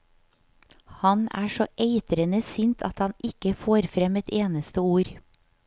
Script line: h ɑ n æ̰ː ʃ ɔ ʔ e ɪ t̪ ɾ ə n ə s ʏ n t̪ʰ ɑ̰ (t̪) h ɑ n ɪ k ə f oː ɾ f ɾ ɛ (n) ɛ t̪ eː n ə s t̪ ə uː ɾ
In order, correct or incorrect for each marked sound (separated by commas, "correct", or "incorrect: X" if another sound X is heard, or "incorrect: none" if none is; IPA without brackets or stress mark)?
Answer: correct, incorrect: m